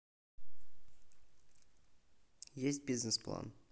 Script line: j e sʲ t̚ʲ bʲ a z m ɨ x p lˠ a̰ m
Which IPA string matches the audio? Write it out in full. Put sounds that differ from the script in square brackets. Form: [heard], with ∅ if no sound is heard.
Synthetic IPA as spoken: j e sʲ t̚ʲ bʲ [i] z [n] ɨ [s] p lˠ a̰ [n]